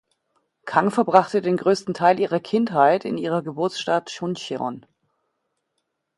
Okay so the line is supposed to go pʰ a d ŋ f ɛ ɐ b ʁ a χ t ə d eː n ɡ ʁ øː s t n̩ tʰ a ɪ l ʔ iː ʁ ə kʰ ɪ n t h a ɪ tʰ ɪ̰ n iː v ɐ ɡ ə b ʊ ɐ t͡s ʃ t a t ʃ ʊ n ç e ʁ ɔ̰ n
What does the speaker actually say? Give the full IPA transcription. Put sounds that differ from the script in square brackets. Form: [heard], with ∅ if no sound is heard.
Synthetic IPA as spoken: [kʰ] a [∅] ŋ f ɛ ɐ b ʁ a χ t ə d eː n ɡ ʁ øː s t n̩ tʰ a ɪ l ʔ iː ʁ [ɐ] kʰ ɪ n t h a ɪ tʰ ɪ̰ n iː [ʁ] ɐ ɡ ə b ʊ ɐ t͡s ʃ t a t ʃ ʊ n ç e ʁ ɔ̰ n